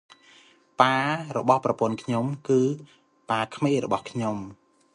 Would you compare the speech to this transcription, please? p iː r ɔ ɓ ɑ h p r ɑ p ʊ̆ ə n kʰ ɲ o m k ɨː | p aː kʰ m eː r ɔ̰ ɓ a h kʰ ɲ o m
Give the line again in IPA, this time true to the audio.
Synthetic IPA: p aː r ɔ ɓ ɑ h p r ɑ p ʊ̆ ə n kʰ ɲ o m k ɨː | p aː kʰ m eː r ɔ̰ ɓ ɑ h kʰ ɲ o m